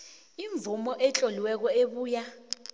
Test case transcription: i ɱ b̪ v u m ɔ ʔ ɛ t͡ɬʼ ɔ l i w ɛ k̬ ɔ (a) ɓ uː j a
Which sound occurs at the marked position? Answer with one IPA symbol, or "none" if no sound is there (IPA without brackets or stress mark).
e